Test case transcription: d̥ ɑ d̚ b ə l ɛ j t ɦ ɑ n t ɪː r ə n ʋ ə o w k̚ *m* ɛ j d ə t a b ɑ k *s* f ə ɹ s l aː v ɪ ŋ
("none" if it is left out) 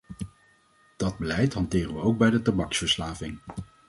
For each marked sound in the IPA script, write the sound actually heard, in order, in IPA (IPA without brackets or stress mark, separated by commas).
b, s